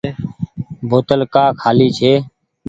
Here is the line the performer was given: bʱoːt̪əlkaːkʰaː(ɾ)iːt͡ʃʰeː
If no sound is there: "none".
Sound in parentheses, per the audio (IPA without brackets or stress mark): l